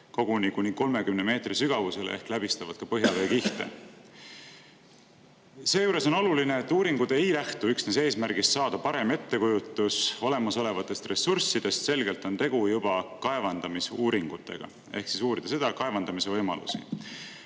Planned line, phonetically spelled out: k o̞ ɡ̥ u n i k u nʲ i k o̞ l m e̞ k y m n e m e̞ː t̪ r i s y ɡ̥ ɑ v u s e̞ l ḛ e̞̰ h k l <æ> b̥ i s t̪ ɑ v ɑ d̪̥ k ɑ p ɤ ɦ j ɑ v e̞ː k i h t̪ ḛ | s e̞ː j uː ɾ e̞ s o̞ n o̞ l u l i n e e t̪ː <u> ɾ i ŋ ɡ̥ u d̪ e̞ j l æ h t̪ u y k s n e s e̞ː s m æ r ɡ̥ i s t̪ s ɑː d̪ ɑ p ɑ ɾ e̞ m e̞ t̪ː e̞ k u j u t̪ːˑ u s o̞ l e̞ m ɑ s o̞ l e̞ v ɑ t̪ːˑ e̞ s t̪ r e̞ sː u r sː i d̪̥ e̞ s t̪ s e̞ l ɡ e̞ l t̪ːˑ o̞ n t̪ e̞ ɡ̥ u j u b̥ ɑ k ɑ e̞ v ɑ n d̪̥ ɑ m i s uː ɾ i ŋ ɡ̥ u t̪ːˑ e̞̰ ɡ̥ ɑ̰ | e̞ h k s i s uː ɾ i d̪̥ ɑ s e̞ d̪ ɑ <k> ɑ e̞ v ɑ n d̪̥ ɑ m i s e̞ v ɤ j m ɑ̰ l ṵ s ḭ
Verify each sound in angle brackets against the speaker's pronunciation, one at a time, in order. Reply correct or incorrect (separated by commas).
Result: correct, incorrect, correct